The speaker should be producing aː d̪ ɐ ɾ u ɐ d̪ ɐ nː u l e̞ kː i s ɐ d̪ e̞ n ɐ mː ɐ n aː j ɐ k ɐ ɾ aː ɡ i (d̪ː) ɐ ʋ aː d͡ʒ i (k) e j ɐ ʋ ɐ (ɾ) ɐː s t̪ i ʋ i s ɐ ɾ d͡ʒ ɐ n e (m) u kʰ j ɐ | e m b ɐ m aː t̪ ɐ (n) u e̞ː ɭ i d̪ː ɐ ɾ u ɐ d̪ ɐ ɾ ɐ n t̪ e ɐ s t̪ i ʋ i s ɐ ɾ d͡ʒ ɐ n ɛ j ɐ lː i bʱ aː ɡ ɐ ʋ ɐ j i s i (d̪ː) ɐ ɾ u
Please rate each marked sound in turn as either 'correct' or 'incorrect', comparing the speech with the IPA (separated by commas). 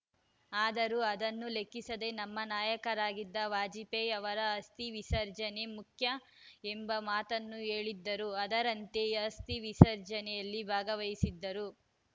correct, incorrect, correct, correct, incorrect, correct